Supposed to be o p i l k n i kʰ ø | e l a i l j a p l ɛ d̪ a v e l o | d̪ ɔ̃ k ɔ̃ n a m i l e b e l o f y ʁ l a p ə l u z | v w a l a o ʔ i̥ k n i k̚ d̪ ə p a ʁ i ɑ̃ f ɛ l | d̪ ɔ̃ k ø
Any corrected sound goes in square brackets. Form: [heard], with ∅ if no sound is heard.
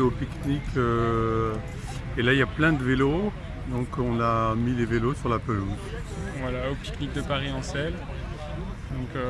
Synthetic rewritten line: o p i [∅] k n i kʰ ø | e l a i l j a p l [ɛ̃] d̪ [ə] v e l o | d̪ ɔ̃ k ɔ̃ n a m i l e [v] e l o [s] y ʁ l a p ə l u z | v w a l a o [p] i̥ k n i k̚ d̪ ə p a ʁ i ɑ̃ [s] ɛ l | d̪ ɔ̃ k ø

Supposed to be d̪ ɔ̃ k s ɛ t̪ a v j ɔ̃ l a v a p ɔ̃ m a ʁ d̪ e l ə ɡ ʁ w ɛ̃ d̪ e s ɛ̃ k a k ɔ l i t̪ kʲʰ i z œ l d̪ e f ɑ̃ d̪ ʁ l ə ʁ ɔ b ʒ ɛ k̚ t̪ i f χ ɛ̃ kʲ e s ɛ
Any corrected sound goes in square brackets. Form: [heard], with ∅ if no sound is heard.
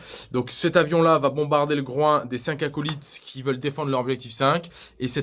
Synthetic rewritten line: d̪ ɔ̃ k s ɛ t̪ a v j ɔ̃ l a v a [b] ɔ̃ [b] a ʁ d̪ e l ə ɡ ʁ w ɛ̃ d̪ e s ɛ̃ k a k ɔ l i t̪ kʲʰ i [v] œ l d̪ e f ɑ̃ d̪ ʁ l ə ʁ ɔ b ʒ ɛ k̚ t̪ i f [s] ɛ̃ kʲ e s ɛ

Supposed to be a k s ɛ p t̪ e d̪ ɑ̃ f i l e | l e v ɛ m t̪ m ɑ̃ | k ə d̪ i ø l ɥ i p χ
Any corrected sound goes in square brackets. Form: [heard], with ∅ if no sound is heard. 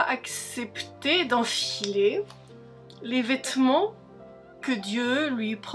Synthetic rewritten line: a k s ɛ p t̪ e d̪ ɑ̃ f i l e | l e v ɛ [∅] t̪ m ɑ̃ | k ə d̪ [j] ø l ɥ i p χ

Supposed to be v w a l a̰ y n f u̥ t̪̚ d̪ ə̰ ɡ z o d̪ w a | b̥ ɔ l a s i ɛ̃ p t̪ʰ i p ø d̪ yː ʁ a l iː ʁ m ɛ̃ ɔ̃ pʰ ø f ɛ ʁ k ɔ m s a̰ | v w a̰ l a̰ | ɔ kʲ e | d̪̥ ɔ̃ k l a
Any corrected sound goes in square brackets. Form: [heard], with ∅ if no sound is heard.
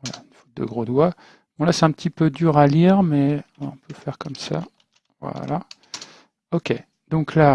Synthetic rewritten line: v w a l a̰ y n f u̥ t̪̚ d̪ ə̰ ɡ [ʁ] o d̪ w a | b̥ [ɔ̃] l a s [ɛ] ɛ̃ p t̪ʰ i p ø d̪ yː ʁ a l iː ʁ m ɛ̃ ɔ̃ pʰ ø f ɛ ʁ k ɔ m s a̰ | v w a̰ l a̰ | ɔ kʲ e | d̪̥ ɔ̃ k l a

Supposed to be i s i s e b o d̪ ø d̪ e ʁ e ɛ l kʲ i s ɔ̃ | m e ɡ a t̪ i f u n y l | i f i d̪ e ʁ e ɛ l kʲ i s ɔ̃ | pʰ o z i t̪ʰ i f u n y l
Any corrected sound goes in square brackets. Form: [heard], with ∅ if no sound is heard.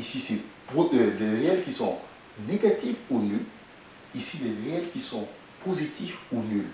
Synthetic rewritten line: i s i s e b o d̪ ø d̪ e ʁ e ɛ l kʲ i s ɔ̃ | [n] e ɡ a t̪ i f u n y l | i [s] i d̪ e ʁ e ɛ l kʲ i s ɔ̃ | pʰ o z i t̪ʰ i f u n y l

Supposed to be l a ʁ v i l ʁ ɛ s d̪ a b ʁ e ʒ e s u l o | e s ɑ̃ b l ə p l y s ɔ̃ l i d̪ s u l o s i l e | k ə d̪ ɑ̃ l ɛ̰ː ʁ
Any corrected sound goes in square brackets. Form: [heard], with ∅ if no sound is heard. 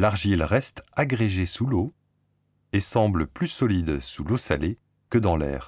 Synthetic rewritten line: l a ʁ [ʒ] i l ʁ ɛ s [t̪] a [ɡ] ʁ e ʒ e s u l o | e s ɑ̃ b l ə p l y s [ɔ] l i d̪ s u l o s [a] l e | k ə d̪ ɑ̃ l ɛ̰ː ʁ

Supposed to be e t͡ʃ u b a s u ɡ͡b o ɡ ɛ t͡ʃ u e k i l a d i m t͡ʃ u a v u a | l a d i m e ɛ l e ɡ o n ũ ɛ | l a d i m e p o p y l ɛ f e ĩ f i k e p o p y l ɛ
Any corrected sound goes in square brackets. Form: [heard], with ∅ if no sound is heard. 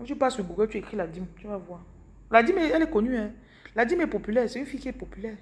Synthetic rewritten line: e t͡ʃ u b a s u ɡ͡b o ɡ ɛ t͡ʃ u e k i l a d i m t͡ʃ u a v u a | l a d i m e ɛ l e [k] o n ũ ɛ | l a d i m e p o p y l ɛ [s] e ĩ f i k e p o p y l ɛ

